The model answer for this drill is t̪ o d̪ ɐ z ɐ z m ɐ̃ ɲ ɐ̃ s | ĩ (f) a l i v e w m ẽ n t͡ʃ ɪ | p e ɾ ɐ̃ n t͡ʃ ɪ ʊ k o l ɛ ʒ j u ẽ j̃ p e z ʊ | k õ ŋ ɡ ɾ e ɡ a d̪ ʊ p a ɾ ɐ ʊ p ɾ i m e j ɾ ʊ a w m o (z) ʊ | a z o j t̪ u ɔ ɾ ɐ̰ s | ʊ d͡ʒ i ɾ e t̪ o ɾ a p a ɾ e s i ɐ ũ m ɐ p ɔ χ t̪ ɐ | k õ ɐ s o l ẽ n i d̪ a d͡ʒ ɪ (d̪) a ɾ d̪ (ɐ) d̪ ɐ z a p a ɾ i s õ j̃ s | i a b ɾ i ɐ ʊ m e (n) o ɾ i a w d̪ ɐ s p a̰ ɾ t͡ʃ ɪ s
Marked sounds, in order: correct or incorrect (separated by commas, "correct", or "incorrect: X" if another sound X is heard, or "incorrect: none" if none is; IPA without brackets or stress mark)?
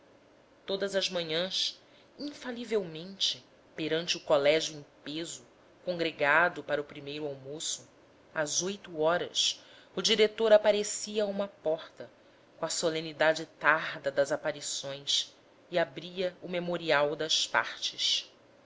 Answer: correct, incorrect: s, incorrect: t̪, correct, incorrect: m